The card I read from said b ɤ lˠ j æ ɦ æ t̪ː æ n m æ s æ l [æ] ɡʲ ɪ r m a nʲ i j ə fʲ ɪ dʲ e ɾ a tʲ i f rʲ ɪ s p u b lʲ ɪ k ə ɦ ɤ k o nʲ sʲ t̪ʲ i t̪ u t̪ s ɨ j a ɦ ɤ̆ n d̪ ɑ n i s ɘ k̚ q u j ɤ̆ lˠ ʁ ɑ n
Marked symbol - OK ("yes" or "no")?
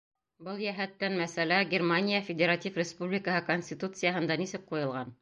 yes